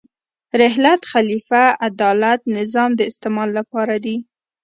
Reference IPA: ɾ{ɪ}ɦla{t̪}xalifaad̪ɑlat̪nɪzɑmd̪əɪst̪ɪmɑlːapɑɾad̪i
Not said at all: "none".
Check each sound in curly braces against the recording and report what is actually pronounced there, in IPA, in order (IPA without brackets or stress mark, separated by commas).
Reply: ɪ, t̪